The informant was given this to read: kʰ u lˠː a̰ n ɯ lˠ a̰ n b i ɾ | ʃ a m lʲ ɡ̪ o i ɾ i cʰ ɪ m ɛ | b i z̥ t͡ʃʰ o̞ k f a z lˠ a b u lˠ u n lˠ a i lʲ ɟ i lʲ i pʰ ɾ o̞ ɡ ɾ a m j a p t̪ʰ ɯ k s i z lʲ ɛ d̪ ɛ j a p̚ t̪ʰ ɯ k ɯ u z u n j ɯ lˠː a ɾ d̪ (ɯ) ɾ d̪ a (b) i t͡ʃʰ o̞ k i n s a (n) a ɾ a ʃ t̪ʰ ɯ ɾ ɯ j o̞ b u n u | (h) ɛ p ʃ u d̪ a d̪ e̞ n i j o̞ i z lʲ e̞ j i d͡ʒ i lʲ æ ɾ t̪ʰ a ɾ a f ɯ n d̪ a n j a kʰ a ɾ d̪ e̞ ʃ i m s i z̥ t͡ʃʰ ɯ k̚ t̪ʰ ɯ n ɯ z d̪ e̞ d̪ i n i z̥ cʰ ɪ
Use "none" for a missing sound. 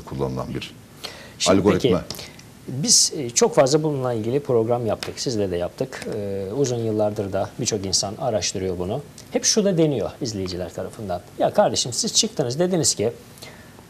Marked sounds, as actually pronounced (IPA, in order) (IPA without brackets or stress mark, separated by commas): ɯ, b, n, h